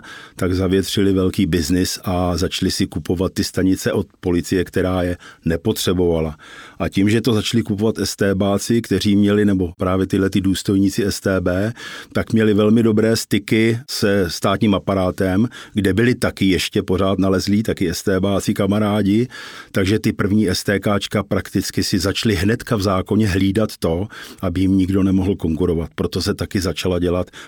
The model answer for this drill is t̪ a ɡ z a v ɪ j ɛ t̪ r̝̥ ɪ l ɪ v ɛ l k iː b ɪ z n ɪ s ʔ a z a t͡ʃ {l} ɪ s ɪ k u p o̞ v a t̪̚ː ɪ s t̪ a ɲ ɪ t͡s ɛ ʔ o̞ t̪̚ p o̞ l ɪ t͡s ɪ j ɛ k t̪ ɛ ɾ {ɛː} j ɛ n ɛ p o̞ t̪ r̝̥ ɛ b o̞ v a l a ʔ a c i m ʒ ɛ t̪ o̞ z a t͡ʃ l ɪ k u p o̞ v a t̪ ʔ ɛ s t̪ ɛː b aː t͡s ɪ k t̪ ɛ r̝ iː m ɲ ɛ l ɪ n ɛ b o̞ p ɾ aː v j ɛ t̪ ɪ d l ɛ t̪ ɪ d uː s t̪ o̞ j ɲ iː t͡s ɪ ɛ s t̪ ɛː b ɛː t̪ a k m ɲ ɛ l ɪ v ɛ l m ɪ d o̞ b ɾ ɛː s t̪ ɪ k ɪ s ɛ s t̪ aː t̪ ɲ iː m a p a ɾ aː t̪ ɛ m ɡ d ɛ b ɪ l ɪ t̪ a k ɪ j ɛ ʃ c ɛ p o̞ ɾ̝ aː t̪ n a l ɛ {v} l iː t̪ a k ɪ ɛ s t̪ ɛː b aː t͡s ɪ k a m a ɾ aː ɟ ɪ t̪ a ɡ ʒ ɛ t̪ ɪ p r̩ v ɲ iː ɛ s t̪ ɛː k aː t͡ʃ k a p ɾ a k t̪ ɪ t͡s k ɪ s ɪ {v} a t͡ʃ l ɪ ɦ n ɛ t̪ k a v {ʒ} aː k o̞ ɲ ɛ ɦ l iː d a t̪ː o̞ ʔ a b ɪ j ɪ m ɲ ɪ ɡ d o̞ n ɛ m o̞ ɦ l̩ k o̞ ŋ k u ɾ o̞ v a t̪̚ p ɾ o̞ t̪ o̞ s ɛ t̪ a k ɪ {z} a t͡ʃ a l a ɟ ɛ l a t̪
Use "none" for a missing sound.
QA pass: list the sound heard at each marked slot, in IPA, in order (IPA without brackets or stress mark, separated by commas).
l, aː, z, z, z, z